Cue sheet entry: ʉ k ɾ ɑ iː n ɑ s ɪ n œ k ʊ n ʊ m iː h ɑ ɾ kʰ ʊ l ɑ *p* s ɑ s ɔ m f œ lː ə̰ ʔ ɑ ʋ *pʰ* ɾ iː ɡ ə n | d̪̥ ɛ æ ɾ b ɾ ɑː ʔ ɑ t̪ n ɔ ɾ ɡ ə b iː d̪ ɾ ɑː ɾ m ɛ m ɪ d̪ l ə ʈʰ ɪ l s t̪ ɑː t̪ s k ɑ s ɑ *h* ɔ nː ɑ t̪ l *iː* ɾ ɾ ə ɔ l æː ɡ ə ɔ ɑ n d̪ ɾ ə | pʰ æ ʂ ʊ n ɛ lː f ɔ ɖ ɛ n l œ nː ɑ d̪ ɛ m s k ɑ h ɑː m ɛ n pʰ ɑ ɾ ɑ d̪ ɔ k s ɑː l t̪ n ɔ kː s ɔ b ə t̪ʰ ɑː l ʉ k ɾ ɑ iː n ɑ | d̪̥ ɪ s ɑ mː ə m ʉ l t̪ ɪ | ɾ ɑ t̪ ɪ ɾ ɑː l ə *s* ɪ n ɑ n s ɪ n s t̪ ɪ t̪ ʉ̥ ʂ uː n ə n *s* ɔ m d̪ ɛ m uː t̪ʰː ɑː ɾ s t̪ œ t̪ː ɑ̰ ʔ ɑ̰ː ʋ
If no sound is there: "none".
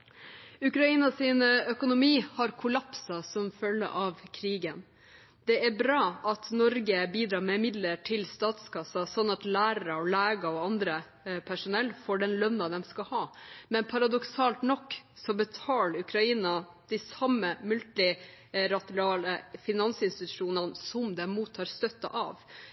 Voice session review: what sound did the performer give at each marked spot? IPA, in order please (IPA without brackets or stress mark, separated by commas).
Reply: p, kʰ, s, æː, f, s